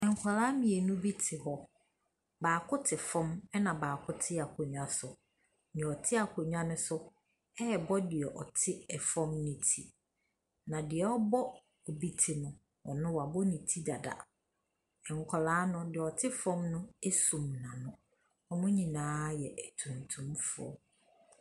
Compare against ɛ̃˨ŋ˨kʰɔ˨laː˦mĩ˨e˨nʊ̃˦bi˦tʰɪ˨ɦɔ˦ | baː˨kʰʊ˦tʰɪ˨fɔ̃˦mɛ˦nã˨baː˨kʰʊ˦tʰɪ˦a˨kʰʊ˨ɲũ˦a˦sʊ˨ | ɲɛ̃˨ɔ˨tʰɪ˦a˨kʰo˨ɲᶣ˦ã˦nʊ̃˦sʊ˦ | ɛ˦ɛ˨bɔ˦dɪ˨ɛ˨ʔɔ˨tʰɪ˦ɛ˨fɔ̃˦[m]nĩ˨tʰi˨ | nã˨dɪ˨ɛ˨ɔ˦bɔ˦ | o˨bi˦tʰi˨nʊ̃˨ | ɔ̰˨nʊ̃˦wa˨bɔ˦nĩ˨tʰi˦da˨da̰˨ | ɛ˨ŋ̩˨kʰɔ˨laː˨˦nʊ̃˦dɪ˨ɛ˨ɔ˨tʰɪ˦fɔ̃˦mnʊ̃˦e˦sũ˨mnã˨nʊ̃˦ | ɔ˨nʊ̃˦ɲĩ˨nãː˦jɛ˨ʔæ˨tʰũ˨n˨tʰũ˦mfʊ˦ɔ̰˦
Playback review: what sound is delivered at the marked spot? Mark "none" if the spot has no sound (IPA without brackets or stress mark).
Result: m